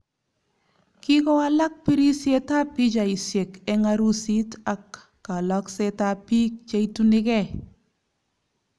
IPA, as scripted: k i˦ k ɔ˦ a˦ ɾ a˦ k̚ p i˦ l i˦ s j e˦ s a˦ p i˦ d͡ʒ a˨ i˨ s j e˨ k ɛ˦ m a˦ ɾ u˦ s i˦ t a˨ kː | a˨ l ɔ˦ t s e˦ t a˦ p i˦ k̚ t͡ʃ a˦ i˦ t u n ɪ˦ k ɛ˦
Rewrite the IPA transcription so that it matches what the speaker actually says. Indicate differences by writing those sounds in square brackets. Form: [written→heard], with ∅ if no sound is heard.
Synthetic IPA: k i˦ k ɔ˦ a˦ [ɾ→l] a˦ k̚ p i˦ [l→ɾ] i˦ s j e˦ [s→t] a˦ p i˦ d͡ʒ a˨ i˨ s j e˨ k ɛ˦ [m→ŋ] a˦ ɾ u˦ s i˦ t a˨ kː | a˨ l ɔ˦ [t→k] s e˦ t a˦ p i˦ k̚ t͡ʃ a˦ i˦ t u n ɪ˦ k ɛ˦